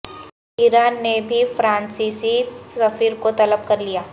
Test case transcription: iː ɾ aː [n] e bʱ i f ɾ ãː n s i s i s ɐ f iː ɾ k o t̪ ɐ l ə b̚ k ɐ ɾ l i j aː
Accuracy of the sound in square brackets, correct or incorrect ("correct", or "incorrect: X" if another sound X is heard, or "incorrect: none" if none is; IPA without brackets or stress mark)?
incorrect: nː